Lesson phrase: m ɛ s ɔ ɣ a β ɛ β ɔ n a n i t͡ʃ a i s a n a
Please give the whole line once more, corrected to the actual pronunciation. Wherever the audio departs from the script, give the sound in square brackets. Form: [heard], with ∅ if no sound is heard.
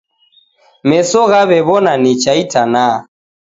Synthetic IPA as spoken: m ɛ s ɔ ɣ a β ɛ β ɔ n a n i t͡ʃ a i [t] a n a